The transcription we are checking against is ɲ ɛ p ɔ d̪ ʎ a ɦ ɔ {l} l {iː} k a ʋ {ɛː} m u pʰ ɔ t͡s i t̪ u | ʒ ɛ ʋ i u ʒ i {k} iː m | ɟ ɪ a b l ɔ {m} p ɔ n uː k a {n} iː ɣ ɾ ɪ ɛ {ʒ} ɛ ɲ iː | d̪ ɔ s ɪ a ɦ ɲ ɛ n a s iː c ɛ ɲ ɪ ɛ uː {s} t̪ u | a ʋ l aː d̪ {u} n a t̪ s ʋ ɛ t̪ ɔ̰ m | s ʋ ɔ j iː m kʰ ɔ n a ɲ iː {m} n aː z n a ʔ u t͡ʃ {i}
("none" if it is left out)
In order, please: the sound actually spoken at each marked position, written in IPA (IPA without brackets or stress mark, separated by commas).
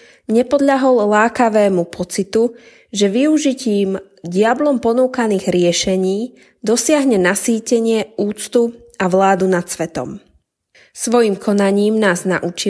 l, aː, ɛː, c, m, n, ʃ, t͡s, u, m, i